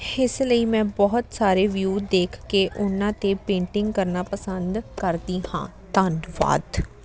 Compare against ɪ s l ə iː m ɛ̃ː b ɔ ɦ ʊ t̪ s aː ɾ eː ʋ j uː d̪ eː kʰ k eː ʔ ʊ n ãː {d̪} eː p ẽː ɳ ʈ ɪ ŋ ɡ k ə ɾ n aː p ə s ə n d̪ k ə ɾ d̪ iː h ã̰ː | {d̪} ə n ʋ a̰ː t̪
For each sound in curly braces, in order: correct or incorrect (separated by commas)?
incorrect, incorrect